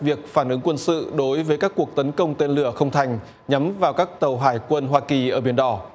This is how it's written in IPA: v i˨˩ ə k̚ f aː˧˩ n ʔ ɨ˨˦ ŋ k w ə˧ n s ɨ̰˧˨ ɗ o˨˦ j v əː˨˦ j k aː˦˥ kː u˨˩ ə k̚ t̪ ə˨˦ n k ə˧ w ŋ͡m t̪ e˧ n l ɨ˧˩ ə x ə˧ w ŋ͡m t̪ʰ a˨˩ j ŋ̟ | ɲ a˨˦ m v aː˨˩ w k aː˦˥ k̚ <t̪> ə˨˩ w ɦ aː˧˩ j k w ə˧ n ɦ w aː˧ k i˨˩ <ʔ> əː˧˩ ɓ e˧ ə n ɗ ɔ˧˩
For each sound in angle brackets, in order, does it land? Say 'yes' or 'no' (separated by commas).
yes, yes